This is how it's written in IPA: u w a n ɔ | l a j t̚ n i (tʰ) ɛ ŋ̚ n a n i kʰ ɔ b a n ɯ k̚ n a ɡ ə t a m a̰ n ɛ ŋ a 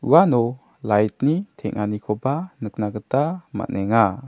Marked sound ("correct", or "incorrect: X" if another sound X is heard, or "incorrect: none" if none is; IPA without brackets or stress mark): correct